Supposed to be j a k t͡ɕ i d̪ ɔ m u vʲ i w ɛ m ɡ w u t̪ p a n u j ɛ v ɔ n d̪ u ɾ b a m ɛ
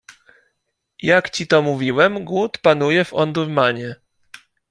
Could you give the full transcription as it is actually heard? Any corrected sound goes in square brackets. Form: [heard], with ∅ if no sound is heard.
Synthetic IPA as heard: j a k t͡ɕ i [t̪] ɔ m u vʲ i w ɛ m ɡ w u t̪ p a n u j ɛ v ɔ n d̪ u ɾ [m] a [ɲ] ɛ